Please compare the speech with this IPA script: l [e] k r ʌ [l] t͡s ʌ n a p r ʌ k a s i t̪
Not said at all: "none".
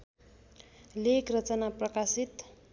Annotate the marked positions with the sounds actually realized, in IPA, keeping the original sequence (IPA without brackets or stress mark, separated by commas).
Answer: e, none